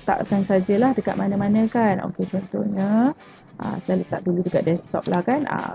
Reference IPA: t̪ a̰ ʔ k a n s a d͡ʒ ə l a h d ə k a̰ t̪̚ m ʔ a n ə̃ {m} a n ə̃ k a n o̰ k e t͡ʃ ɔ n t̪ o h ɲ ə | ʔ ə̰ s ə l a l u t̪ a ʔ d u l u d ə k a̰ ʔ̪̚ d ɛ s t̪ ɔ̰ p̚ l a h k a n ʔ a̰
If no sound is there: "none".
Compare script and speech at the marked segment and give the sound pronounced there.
m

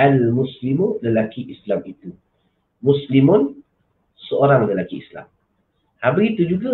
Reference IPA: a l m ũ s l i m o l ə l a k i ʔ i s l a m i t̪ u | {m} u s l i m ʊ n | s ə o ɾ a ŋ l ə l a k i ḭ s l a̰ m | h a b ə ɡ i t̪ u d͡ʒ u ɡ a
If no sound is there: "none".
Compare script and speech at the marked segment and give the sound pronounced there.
m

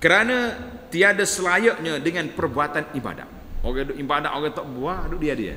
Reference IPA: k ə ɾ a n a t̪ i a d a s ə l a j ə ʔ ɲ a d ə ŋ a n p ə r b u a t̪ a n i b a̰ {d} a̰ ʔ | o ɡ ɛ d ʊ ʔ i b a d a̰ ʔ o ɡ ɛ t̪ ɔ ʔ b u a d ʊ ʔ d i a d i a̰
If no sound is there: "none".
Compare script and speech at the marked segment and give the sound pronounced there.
d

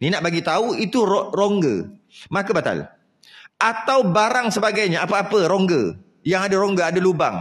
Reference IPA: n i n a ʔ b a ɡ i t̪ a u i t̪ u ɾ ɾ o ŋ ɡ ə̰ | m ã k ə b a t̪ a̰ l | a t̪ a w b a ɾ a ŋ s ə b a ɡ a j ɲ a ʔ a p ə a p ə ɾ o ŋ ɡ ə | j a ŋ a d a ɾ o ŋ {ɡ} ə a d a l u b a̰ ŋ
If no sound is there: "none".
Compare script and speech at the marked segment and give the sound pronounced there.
ɡ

